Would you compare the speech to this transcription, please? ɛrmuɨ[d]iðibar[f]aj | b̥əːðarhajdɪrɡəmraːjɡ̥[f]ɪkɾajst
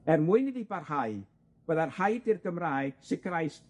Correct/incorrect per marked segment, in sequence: incorrect: n, incorrect: h, incorrect: s

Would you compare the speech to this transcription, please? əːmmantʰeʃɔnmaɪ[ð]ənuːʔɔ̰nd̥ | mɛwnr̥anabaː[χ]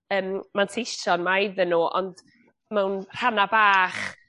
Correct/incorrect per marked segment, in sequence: correct, correct

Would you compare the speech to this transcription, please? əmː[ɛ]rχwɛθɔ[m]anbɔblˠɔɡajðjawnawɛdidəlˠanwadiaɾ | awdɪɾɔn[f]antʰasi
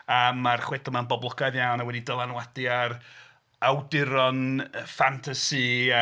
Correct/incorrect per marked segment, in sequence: incorrect: a, correct, correct

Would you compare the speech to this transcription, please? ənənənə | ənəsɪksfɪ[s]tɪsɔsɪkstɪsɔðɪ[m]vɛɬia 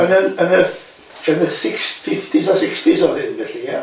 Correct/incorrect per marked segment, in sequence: incorrect: f, incorrect: n

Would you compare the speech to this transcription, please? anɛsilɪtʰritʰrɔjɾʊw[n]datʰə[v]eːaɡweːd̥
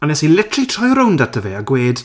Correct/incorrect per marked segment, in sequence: correct, correct

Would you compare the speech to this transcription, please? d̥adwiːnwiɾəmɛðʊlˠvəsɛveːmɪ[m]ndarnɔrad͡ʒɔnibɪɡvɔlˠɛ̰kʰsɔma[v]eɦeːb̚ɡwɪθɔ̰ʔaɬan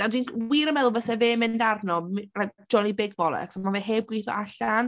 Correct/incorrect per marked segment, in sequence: incorrect: none, correct

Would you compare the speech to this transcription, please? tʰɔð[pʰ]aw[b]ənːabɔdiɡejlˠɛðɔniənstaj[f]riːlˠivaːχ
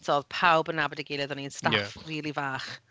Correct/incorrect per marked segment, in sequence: correct, correct, correct

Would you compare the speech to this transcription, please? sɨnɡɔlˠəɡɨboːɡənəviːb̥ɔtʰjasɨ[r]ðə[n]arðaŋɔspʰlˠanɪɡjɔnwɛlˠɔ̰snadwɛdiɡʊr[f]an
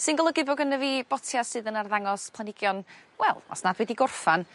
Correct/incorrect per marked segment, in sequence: incorrect: none, correct, correct

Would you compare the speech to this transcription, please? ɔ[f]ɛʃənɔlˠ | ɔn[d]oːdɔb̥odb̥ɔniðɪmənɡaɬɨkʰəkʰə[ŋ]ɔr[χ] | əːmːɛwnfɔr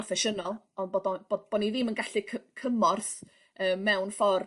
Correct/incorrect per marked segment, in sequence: correct, incorrect: b, incorrect: m, incorrect: θ

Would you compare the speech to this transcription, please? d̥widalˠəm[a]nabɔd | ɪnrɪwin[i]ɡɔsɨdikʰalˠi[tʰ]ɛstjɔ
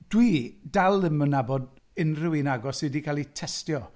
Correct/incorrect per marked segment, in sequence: incorrect: ə, incorrect: a, correct

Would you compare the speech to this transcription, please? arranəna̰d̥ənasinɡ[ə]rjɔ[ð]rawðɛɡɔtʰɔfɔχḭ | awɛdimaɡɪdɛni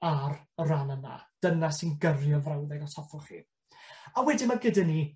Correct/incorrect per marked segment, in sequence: correct, incorrect: v

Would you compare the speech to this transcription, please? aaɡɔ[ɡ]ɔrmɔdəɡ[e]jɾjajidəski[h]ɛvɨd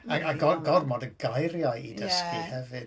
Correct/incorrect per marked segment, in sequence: correct, incorrect: a, correct

